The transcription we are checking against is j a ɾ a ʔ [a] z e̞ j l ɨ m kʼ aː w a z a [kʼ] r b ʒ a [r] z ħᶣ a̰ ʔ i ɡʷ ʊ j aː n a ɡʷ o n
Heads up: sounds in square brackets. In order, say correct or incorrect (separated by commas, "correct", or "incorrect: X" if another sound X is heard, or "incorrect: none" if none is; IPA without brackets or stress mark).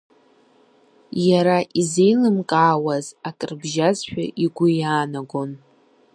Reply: incorrect: i, correct, incorrect: none